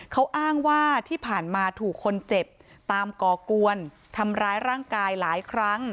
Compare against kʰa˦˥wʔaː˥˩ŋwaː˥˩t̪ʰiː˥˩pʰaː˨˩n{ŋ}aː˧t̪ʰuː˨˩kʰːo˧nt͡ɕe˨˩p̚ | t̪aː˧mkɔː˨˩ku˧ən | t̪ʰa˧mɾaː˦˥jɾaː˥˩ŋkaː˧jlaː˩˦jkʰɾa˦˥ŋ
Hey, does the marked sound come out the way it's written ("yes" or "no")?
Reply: no